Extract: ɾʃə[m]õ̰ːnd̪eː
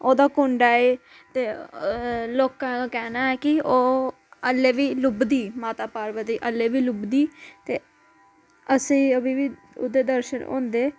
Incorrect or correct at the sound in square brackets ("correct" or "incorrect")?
incorrect